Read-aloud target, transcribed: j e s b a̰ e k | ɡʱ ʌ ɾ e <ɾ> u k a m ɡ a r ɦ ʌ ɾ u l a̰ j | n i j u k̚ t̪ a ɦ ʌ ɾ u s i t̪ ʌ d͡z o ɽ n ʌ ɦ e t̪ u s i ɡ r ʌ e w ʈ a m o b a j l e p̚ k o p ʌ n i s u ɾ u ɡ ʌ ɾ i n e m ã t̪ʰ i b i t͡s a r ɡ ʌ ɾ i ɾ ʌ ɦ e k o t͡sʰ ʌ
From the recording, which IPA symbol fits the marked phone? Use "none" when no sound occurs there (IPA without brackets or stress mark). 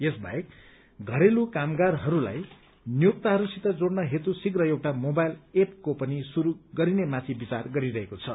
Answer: l